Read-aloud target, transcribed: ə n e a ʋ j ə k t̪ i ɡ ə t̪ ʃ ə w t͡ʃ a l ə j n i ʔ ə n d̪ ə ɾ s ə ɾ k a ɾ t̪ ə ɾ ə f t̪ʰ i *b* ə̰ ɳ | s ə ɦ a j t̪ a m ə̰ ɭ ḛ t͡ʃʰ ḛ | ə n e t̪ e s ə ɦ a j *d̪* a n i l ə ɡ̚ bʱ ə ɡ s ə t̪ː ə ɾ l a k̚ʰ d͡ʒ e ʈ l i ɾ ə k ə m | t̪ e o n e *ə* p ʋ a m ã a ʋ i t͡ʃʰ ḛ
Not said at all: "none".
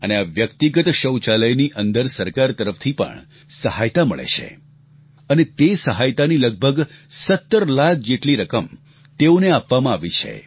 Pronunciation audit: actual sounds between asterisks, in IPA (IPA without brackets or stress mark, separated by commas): p, t̪, a